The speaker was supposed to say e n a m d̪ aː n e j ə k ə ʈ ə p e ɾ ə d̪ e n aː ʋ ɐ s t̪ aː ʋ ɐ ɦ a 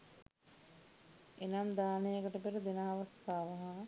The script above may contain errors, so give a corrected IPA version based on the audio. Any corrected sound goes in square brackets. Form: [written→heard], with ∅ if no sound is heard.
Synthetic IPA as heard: e n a m d̪ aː n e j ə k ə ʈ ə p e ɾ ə d̪ e n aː ʋ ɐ s t̪ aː ʋ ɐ ɦ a